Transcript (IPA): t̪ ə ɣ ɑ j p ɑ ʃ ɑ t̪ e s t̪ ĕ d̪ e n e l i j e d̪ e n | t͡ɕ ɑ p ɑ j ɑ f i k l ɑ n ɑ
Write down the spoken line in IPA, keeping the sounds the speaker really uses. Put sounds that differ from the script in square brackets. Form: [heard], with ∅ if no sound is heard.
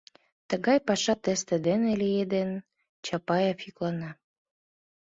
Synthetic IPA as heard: t̪ ə ɣ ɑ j p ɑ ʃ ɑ t̪ e s t̪ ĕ d̪ e n e l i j e d̪ e n | t͡ɕ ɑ p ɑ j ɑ f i k l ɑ n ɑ